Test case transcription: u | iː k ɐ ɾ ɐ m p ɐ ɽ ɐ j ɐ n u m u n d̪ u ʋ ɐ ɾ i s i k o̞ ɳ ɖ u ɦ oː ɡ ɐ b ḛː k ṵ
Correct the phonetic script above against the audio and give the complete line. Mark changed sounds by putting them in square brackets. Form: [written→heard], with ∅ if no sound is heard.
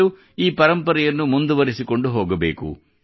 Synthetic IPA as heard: u | iː [k→p] ɐ ɾ ɐ m p ɐ [ɽ→ɾ] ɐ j ɐ [n→nː] u m u n d̪ u ʋ ɐ ɾ i s i k o̞ ɳ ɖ u ɦ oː ɡ ɐ b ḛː k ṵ